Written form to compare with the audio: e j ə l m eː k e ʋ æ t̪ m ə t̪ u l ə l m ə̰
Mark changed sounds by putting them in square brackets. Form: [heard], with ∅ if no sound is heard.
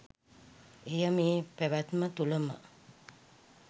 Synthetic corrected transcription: e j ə [∅] m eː [p] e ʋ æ t̪ m ə t̪ u l ə [∅] m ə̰